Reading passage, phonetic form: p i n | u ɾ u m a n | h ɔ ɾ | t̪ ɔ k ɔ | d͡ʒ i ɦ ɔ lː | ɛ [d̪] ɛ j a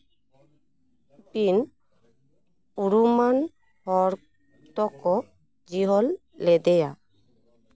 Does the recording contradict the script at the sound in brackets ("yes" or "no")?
no